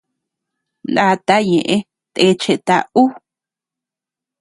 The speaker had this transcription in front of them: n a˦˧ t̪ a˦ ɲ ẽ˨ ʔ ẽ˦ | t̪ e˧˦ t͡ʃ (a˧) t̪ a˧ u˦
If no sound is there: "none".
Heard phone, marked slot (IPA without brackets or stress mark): e˧